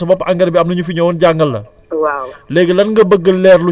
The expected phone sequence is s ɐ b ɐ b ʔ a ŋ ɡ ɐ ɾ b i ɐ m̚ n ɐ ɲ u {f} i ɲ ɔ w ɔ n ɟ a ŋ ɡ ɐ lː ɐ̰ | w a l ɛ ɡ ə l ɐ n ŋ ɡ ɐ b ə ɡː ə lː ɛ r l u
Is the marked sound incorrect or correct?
correct